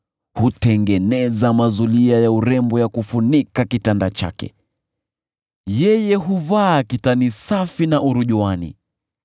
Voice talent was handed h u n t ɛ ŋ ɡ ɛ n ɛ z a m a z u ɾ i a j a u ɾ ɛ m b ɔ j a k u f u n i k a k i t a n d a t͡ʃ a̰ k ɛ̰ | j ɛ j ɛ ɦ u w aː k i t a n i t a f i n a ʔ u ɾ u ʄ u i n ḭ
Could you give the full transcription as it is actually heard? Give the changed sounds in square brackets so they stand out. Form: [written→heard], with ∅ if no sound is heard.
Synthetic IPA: h u [n→∅] t ɛ ŋ ɡ ɛ n ɛ z a m a z u [ɾ→l] i a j a u ɾ ɛ m b ɔ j a k u f u n i k a k i t a n d a t͡ʃ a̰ k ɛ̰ | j ɛ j ɛ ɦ u [w→v] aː k i t a n i [t→s] a f i n a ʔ u ɾ u ʄ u [i→a] n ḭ